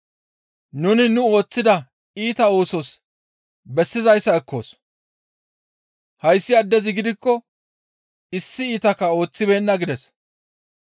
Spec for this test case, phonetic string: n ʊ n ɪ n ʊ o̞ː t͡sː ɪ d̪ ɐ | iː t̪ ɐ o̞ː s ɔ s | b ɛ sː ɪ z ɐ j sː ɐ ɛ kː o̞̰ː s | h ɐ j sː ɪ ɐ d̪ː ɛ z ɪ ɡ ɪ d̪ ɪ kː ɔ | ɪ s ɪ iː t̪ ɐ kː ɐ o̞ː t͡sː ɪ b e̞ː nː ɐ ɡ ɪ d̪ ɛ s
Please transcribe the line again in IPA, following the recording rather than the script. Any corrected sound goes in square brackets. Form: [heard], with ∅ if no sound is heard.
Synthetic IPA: n ʊ n ɪ n ʊ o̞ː t͡sː ɪ d̪ ɐ | iː t̪ ɐ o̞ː s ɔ s | b ɛ sː ɪ z ɐ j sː ɐ ɛ kː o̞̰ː s | h ɐ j sː ɪ ɐ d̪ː ɛ z ɪ ɡ ɪ d̪ ɪ kː ɔ | ɪ [sː] ɪ iː t̪ ɐ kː ɐ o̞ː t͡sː ɪ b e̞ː nː ɐ ɡ ɪ d̪ ɛ s